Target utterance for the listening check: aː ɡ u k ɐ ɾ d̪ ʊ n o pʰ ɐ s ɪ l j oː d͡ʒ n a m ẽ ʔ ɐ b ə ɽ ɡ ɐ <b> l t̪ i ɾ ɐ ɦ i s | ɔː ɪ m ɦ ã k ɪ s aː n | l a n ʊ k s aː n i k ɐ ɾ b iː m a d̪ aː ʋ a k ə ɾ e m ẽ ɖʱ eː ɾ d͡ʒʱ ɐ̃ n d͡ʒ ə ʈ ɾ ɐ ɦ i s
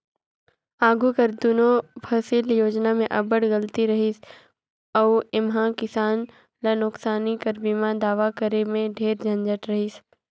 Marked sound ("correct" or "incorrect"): incorrect